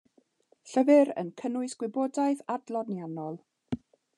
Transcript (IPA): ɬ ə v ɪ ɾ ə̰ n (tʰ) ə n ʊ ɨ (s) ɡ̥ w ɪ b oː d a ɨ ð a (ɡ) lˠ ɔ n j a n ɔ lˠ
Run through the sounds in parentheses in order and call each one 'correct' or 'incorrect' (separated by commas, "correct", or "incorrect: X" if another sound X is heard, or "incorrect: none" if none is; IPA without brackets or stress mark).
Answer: incorrect: kʰ, correct, incorrect: d